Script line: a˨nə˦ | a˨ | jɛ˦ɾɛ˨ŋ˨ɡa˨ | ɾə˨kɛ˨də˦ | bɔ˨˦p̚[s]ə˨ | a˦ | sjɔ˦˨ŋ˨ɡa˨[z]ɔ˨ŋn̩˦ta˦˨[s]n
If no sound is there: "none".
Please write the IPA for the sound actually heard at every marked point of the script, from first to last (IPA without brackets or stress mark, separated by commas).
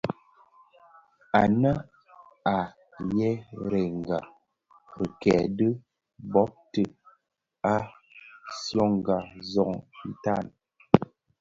t, z, none